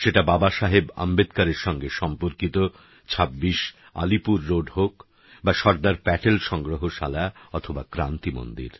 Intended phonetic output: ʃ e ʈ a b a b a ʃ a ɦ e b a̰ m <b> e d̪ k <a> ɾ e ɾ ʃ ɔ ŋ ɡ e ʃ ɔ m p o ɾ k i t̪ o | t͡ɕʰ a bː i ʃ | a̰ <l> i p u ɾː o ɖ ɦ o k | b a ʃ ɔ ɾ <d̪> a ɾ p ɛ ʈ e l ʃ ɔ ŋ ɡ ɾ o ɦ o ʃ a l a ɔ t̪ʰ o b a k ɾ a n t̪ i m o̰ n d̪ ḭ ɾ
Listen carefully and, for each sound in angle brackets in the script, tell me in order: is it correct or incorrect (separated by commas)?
correct, correct, correct, correct